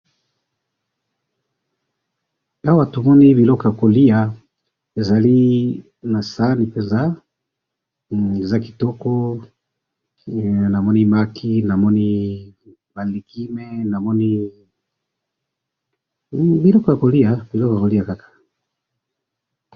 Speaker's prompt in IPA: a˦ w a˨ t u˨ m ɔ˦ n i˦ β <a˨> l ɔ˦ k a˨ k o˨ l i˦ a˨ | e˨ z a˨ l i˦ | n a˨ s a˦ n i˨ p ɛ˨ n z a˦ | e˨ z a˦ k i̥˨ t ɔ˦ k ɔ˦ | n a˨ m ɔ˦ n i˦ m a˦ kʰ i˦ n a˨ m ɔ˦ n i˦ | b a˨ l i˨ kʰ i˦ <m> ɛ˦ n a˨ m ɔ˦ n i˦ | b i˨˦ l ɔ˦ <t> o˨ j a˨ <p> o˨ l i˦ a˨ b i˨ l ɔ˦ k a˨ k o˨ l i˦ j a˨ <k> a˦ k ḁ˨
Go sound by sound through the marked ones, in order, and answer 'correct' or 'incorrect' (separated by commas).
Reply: incorrect, correct, incorrect, incorrect, correct